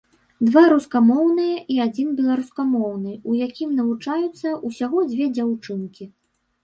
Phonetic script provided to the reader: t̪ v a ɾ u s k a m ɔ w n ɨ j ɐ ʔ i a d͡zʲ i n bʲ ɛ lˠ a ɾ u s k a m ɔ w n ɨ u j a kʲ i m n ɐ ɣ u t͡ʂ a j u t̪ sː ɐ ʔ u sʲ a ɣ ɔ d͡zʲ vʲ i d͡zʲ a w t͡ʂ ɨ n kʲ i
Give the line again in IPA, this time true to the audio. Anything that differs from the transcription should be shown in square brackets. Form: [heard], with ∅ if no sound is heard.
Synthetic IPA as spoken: [d̪] v a ɾ u s k a m ɔ w n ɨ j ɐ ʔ i a d͡zʲ i n bʲ ɛ lˠ a ɾ u s k a m ɔ w n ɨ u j a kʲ i m n ɐ [v] u t͡ʂ a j u t̪ sː ɐ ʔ u sʲ a ɣ ɔ d͡zʲ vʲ [ɛ] d͡zʲ a w t͡ʂ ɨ n kʲ i